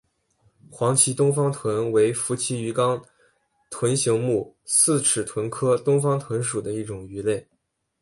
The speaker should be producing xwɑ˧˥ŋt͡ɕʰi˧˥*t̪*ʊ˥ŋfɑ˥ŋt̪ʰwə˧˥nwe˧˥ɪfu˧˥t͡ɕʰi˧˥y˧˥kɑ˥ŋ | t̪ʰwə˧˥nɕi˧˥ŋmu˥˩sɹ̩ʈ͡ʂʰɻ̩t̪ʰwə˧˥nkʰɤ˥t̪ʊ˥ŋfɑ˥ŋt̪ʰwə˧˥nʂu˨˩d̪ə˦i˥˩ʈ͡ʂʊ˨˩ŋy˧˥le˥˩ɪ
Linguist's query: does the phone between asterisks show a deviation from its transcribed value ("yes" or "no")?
no